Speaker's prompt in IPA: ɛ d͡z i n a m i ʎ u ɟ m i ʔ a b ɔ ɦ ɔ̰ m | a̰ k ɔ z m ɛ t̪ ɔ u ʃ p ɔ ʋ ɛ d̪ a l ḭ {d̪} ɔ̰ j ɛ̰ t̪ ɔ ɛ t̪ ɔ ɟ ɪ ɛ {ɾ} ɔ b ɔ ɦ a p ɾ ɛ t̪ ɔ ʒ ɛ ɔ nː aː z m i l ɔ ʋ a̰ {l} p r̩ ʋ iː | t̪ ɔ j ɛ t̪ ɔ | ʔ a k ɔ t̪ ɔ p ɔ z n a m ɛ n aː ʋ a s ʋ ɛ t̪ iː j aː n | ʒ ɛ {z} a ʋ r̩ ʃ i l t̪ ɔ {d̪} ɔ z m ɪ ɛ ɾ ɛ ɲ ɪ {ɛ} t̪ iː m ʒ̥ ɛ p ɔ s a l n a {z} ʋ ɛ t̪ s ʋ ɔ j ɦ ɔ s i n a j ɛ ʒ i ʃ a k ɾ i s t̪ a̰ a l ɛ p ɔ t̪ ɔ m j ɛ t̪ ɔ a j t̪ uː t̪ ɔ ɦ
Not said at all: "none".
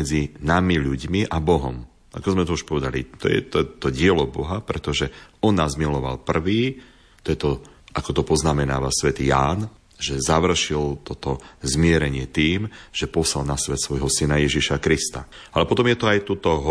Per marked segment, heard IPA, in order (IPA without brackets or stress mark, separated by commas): t̪, l, l, z, t̪, ɛ, s